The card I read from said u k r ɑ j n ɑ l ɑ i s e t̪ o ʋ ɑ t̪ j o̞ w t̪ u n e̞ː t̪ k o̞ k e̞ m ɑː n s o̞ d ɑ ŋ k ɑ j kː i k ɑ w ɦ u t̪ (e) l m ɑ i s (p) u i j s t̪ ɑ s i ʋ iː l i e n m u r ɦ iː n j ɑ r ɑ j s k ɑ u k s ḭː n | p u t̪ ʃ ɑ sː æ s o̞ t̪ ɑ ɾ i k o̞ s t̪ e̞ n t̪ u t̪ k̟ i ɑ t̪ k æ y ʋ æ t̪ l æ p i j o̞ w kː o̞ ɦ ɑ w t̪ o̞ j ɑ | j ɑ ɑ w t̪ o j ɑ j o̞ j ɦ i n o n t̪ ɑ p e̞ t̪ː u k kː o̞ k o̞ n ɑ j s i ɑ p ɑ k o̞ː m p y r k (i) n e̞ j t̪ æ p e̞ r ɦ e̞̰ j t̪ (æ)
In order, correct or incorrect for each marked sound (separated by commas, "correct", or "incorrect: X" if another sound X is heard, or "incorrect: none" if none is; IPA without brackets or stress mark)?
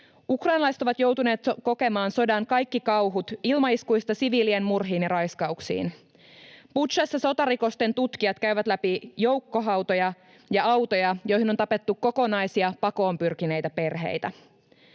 incorrect: i, incorrect: k, correct, correct